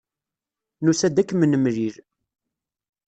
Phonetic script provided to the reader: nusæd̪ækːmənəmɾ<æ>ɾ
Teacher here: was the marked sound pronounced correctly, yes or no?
no